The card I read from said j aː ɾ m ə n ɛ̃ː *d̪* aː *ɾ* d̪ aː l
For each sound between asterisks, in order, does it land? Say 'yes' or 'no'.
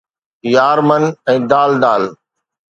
yes, no

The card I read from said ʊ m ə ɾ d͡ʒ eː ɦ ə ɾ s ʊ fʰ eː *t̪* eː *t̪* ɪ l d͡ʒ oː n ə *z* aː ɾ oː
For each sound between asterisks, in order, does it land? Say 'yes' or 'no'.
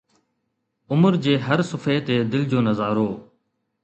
yes, no, yes

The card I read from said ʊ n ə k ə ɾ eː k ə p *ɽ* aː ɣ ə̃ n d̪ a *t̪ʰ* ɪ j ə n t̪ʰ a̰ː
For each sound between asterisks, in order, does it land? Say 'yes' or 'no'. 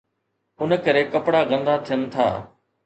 yes, yes

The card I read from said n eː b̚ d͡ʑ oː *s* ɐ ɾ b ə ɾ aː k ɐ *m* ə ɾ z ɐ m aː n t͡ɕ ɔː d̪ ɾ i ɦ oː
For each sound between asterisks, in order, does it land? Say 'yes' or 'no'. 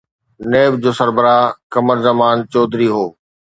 yes, yes

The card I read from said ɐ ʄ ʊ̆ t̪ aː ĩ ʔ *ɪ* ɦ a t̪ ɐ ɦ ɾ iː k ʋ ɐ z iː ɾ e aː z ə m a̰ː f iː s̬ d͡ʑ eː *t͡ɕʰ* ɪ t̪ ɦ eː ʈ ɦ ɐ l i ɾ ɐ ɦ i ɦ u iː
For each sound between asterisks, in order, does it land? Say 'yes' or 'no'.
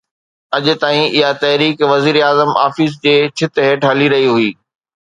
yes, yes

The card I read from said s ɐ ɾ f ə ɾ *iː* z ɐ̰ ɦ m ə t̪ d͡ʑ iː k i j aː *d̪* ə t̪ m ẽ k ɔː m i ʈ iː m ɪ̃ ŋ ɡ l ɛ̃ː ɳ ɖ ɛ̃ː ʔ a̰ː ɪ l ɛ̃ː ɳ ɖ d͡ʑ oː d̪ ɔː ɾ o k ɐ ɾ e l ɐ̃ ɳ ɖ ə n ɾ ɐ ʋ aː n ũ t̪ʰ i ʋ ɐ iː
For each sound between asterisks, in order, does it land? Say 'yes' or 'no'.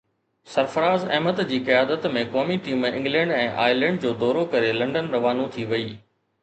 no, yes

